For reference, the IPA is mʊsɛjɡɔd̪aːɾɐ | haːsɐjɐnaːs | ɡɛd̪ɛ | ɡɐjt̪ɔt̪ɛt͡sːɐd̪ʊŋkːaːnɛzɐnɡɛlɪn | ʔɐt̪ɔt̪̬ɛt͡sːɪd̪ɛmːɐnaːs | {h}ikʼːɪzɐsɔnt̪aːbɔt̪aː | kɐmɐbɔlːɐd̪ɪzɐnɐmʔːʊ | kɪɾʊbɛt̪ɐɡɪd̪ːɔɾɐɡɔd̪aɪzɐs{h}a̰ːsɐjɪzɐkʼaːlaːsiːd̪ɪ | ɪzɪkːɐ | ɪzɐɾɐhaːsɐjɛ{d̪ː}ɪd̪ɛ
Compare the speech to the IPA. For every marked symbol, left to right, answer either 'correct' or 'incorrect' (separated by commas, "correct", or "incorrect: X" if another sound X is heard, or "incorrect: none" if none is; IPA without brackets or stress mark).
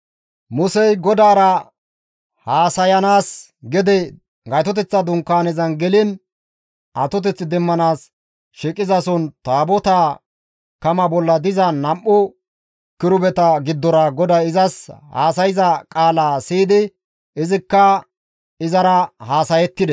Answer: incorrect: ʃ, correct, incorrect: t̪ː